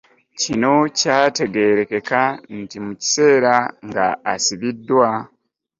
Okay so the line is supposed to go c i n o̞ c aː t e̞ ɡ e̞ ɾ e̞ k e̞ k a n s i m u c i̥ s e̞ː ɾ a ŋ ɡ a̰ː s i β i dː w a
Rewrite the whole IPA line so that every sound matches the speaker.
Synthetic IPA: c i n o̞ c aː t e̞ ɡ e̞ ɾ e̞ k e̞ k a n t i m u c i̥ s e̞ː ɾ a ŋ ɡ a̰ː s i β i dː w a